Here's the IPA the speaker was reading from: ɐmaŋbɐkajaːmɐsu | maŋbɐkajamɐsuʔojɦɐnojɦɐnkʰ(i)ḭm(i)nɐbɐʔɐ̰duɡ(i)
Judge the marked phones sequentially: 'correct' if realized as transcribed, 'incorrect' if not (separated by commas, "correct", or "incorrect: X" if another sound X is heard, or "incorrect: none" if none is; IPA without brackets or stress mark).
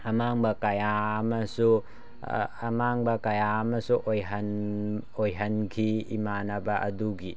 correct, incorrect: a, correct